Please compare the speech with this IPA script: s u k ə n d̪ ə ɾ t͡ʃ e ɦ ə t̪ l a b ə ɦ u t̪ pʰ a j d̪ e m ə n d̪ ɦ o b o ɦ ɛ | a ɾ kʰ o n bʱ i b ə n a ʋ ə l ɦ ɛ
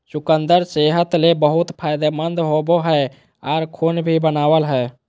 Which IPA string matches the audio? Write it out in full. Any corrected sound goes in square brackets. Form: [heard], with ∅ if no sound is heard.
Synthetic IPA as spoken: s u k ə n d̪ ə ɾ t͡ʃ e ɦ ə t̪ l [e] b ə ɦ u t̪ pʰ a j d̪ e m ə n d̪ ɦ o b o ɦ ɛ | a ɾ kʰ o n bʱ i b ə n a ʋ ə l ɦ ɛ